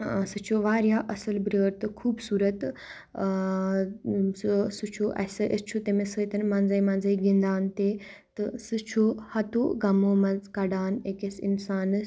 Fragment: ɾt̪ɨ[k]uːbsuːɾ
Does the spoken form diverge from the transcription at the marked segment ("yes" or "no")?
yes